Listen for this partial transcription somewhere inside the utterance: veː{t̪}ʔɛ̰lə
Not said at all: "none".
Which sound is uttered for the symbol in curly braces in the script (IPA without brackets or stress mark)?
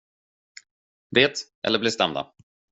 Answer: t̪